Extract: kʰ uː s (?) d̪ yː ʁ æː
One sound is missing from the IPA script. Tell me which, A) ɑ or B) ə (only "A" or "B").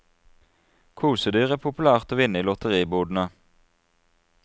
B